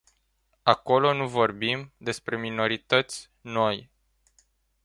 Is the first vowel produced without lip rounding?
yes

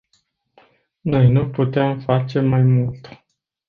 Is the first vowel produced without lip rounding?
no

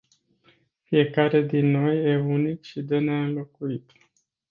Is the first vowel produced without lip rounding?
yes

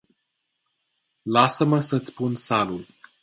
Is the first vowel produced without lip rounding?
yes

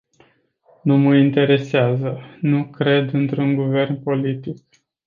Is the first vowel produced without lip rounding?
no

